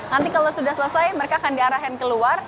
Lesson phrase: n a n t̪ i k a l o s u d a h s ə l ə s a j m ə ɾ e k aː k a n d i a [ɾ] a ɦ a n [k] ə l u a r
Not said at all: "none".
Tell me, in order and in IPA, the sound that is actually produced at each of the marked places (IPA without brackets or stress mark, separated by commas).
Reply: ɾ, k